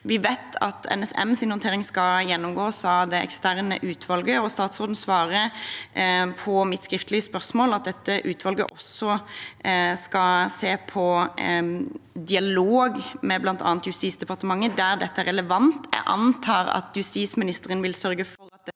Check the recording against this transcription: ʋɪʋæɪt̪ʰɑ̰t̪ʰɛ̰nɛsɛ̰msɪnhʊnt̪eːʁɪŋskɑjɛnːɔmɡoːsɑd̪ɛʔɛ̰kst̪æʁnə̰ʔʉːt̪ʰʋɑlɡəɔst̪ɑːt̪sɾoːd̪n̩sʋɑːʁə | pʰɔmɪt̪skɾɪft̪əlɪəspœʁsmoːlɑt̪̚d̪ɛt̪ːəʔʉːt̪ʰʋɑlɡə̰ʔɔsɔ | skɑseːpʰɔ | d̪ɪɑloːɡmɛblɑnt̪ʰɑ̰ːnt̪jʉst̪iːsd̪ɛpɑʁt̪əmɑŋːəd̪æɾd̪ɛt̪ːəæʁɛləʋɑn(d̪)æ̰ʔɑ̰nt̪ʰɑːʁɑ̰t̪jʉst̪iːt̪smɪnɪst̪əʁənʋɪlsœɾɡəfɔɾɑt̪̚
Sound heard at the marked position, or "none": t̪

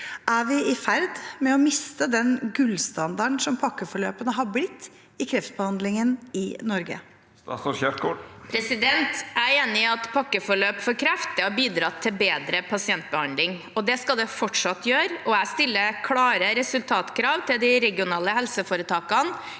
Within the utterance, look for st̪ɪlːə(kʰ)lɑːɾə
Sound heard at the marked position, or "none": kʰ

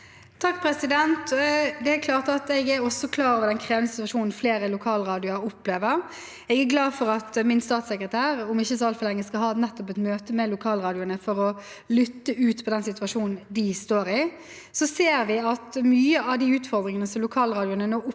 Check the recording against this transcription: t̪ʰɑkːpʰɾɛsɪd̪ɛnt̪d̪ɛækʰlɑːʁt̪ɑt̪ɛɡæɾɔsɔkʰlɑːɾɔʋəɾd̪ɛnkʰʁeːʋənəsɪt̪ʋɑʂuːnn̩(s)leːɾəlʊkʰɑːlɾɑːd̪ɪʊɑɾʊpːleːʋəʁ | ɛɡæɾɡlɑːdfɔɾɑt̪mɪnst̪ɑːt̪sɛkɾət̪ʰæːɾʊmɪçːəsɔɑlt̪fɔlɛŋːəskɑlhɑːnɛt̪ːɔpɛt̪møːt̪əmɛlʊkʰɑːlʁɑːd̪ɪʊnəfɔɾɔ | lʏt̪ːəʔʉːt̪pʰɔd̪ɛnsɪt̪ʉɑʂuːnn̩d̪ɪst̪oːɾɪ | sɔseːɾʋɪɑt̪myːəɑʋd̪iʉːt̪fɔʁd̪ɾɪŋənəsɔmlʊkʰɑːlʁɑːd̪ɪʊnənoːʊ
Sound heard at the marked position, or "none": f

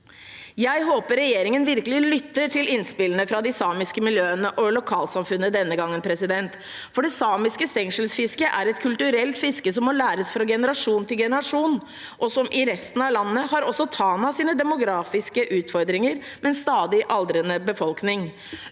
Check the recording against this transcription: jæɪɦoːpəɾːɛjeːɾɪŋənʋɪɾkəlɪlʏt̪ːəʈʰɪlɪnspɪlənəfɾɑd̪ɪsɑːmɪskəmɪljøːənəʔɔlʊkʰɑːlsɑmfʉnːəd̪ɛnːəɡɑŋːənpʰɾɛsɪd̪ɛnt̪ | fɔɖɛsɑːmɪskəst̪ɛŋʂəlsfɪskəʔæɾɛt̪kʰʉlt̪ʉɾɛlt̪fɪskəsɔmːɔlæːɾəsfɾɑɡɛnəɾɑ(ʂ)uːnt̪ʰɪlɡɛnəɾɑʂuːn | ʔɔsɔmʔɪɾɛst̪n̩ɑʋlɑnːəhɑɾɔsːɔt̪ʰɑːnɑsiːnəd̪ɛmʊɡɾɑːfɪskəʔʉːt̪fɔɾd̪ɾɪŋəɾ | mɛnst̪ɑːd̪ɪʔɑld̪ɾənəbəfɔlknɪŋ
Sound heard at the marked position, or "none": ʂ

